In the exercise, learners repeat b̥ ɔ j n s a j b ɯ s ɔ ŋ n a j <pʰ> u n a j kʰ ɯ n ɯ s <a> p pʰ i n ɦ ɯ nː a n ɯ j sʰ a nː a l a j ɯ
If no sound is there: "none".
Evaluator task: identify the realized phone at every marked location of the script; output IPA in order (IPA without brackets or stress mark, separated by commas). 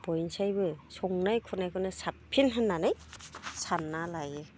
kʰ, a